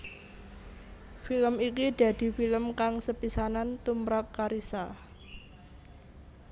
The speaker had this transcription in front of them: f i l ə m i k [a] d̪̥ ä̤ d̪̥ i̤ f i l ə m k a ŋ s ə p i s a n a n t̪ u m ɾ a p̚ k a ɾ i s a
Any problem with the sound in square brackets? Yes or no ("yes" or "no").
yes